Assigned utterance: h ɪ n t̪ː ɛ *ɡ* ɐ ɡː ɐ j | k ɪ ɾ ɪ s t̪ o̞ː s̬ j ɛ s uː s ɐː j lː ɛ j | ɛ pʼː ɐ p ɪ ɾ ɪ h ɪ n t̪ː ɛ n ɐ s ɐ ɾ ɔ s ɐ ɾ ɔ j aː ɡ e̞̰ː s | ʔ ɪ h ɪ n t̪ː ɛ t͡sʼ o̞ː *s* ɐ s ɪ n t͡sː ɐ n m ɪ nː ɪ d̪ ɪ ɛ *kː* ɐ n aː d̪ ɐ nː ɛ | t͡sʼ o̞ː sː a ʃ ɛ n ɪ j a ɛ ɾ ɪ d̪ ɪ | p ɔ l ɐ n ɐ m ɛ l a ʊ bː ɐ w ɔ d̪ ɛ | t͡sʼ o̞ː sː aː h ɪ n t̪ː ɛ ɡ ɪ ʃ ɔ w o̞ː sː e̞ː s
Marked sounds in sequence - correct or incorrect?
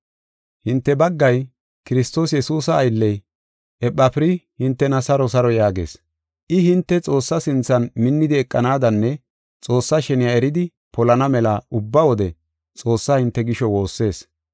incorrect: b, incorrect: sː, incorrect: kʼː

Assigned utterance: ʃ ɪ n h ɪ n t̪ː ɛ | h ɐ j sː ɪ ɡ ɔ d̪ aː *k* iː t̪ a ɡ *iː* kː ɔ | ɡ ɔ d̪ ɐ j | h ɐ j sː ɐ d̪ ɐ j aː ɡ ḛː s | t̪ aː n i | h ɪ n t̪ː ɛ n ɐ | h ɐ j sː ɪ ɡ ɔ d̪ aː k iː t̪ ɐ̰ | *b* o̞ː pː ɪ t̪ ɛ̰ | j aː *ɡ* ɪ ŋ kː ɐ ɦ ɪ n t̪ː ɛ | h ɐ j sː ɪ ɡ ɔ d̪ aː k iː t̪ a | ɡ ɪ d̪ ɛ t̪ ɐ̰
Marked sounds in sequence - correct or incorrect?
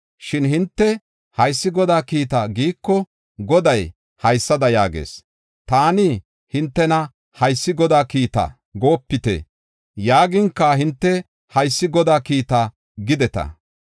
correct, correct, incorrect: ɡ, correct

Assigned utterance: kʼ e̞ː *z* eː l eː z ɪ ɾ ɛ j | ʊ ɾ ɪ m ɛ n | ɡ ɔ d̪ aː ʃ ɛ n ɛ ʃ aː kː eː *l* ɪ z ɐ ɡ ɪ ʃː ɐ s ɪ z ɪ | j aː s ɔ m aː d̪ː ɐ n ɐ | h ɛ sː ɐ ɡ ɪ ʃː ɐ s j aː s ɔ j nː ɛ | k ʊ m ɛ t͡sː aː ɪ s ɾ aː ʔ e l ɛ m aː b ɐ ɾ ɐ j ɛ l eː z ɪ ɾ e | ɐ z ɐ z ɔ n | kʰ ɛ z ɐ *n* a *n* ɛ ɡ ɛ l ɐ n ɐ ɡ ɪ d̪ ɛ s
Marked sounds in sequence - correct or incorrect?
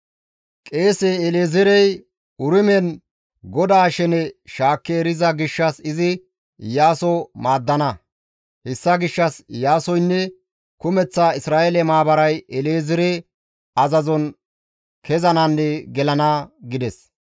incorrect: s, incorrect: ɾ, correct, incorrect: nː

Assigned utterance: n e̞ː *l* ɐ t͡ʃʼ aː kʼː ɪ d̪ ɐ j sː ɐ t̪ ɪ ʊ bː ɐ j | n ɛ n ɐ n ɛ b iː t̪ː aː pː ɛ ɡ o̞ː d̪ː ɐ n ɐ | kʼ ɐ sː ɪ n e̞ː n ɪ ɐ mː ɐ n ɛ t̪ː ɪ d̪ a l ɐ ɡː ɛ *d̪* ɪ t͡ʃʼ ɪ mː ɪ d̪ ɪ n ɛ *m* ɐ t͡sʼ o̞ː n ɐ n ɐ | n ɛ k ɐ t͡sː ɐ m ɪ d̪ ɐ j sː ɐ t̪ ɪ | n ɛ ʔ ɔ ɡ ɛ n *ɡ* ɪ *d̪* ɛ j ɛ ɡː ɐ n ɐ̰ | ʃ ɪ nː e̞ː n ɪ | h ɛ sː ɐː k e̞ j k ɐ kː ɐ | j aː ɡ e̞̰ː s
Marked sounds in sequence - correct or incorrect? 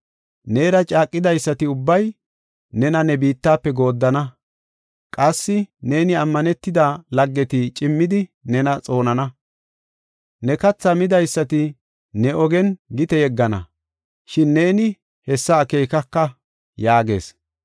incorrect: ɾ, incorrect: t̪, incorrect: n, correct, incorrect: t̪

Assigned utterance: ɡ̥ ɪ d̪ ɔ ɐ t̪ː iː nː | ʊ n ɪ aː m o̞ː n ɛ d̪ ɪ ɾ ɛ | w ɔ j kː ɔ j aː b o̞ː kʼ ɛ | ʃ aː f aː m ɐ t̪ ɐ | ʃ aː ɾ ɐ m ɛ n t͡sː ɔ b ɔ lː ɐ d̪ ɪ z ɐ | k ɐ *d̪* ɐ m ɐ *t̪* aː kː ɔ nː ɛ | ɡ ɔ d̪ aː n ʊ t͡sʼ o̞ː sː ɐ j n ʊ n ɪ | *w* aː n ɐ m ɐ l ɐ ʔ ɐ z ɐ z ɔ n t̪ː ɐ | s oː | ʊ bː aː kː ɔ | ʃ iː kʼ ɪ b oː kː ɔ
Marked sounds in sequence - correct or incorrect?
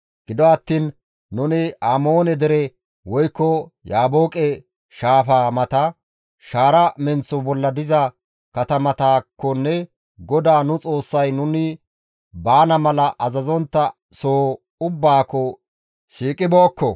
incorrect: t̪, correct, incorrect: b

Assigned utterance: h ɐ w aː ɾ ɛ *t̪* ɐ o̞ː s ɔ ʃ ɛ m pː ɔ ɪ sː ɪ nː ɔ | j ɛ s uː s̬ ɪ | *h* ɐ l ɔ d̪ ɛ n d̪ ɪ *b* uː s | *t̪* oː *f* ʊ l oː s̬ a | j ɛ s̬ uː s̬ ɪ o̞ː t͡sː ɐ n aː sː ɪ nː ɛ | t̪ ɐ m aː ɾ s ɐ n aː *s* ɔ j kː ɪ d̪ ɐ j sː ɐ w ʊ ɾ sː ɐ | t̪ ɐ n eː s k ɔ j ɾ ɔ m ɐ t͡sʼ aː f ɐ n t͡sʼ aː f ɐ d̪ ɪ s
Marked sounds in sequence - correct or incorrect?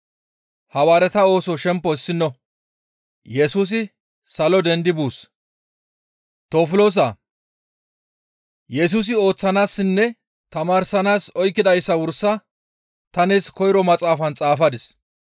correct, incorrect: s, correct, correct, correct, correct

